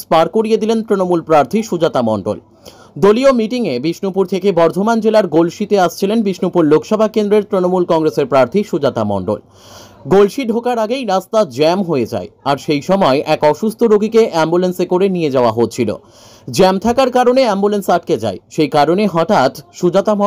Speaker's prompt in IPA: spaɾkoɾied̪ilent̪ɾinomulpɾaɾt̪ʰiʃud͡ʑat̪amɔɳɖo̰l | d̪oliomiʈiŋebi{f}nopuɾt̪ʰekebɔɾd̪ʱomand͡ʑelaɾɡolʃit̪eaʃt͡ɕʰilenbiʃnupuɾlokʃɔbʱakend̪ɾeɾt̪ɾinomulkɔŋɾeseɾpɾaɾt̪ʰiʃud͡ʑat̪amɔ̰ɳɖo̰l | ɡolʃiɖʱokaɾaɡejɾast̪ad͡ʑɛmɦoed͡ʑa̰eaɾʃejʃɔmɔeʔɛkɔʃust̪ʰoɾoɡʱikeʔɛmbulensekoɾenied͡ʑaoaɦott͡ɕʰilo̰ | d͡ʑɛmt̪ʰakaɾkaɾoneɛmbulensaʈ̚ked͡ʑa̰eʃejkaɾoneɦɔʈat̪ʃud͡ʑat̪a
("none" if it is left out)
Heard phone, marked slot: ʃ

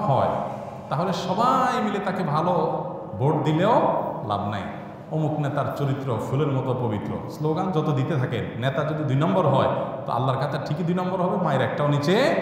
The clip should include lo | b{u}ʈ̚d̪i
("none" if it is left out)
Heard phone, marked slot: o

